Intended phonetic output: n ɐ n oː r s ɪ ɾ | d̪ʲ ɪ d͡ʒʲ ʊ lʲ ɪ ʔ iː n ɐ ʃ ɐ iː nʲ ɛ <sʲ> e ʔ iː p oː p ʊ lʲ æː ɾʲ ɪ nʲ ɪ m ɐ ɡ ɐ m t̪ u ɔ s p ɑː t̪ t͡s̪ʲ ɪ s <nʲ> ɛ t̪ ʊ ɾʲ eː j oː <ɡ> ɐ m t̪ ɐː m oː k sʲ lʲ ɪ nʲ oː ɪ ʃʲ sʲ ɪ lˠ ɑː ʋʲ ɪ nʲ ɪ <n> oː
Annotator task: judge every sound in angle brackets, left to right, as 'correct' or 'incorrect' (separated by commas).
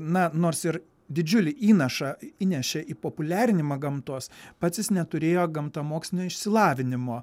incorrect, correct, correct, incorrect